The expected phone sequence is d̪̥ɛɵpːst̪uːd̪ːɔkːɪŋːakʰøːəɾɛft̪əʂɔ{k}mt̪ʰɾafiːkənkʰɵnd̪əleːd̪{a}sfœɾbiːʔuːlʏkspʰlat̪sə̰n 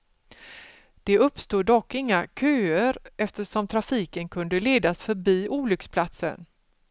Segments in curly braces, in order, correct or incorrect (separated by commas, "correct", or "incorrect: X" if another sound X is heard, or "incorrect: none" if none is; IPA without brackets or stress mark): incorrect: none, correct